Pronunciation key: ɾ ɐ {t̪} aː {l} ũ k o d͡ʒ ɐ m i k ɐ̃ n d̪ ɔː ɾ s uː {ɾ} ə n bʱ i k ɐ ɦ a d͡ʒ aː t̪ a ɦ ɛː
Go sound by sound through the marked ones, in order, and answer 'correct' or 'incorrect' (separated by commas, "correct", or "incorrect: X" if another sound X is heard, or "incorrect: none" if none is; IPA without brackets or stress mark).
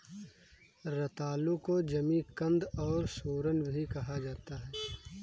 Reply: correct, correct, correct